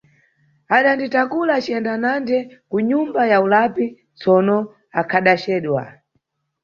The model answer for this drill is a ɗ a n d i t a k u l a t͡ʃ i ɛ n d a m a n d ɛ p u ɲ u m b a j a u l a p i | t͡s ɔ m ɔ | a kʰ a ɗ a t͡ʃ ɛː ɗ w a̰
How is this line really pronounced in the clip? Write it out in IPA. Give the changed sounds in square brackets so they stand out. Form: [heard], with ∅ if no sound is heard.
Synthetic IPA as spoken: a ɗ a n d i t a k u l a t͡ʃ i ɛ n d a [n] a n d ɛ [k] u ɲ u m b a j a u l a p i | t͡s ɔ [n] ɔ | a kʰ a ɗ a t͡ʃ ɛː ɗ w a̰